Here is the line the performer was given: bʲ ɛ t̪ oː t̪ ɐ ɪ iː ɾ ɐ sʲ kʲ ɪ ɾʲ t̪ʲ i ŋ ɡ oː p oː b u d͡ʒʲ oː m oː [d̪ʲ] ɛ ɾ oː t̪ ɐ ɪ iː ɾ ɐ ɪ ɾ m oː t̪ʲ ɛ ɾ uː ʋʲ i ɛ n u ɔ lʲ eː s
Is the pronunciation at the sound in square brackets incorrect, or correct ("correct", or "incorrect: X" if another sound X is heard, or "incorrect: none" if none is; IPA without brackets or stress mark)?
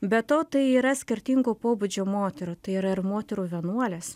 incorrect: t̪ʲ